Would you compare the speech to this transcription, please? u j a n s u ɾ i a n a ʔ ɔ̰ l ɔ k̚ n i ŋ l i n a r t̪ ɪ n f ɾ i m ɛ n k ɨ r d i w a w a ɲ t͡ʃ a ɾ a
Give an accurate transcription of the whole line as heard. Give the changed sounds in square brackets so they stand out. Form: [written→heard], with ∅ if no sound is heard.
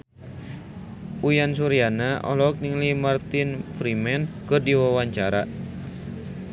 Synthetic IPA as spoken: u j a n s u ɾ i a n a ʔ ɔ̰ l ɔ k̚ n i ŋ l i [n→m] a r t̪ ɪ n f ɾ i m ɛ n k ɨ r d i w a w a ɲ t͡ʃ a ɾ a

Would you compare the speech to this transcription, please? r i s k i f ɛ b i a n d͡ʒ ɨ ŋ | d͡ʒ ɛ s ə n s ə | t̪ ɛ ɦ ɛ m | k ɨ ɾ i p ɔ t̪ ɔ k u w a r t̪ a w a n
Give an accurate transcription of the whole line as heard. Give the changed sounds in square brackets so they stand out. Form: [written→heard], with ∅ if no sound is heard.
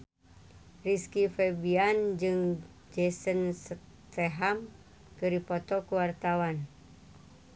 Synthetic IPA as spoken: r i s k i f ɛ b i a n d͡ʒ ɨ ŋ | d͡ʒ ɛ s ə n s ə | t̪ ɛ ɦ [ɛ→a] m | k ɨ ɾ i p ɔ t̪ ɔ k u w a r t̪ a w a n

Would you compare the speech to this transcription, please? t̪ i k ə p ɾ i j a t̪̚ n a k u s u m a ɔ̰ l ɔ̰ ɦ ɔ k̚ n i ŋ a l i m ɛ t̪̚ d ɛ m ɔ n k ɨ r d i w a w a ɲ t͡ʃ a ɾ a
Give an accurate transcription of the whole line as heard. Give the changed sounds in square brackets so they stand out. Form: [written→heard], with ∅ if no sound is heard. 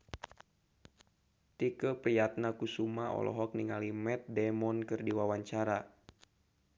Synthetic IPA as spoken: t̪ i k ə p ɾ i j a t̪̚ n a k u s u m a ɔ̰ l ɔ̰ ɦ ɔ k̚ n i ŋ a l i m ɛ t̪̚ d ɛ m ɔ n k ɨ r d i w a w a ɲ t͡ʃ a ɾ a

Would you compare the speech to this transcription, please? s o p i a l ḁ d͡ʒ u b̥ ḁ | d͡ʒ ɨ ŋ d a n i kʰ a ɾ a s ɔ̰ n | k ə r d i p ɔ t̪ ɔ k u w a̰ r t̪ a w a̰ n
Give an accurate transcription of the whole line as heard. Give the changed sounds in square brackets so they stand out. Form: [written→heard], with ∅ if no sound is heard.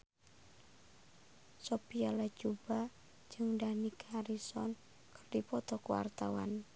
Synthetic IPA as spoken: s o p i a l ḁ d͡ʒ u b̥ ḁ | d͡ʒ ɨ ŋ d a n i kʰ a ɾ [a→i] s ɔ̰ n | k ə r d i p ɔ t̪ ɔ k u w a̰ r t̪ a w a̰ n

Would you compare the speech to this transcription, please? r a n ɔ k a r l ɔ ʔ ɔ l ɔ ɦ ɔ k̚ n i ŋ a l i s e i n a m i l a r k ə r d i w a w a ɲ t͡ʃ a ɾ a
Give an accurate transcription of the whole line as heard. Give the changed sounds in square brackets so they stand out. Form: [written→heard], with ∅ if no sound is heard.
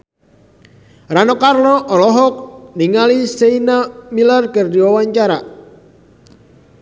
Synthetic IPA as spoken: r a n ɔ k a r l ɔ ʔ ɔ l ɔ ɦ ɔ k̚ n i ŋ a l i s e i n a m i l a r k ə r d i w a w a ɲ t͡ʃ a ɾ a

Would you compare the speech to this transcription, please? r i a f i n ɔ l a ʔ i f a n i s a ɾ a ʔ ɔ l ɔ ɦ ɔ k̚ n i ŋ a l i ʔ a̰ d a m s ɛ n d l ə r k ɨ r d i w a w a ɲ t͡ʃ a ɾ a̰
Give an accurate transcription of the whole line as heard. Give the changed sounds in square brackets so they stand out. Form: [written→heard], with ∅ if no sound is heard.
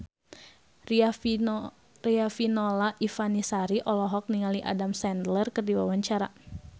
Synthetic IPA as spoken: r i a f i n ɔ l a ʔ i f a n i s a ɾ [a→i] ʔ ɔ l ɔ ɦ ɔ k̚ n i ŋ a l i ʔ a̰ d a m s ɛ n d l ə r k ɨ r d i w a w a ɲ t͡ʃ a ɾ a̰

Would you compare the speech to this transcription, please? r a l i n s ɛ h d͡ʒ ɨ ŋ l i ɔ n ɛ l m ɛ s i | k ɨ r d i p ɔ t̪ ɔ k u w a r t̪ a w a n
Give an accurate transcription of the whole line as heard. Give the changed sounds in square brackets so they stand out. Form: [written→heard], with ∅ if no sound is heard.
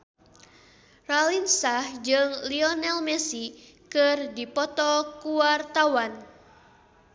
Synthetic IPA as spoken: r a l i n s [ɛ→a] h d͡ʒ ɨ ŋ l i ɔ n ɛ l m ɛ s i | k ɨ r d i p ɔ t̪ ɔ k u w a r t̪ a w a n

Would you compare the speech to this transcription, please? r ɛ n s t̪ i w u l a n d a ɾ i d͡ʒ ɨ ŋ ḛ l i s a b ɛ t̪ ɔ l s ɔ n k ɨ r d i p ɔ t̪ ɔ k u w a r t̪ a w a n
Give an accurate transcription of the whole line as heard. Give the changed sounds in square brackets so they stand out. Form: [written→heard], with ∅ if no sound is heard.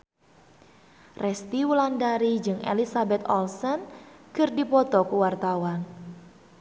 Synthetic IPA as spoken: r ɛ [n→∅] s t̪ i w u l a n d a ɾ i d͡ʒ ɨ ŋ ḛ l i s a b ɛ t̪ ɔ l s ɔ n k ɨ r d i p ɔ t̪ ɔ k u w a r t̪ a w a n

